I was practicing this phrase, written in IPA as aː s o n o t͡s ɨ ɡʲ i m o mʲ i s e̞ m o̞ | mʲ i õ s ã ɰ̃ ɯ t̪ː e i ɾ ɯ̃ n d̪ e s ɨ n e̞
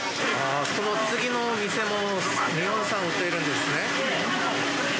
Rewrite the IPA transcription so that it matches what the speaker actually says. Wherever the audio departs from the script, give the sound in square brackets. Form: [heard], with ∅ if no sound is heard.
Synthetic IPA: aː s o n o t͡s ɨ ɡʲ i [n] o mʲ i s e̞ m o̞ | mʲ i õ s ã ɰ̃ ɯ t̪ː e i ɾ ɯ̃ n d̪ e s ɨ n e̞